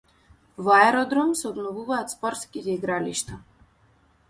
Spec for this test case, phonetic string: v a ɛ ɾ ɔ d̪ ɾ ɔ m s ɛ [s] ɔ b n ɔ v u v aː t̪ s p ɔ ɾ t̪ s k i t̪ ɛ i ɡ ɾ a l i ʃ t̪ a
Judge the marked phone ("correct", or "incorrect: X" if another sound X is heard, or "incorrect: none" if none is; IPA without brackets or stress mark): incorrect: none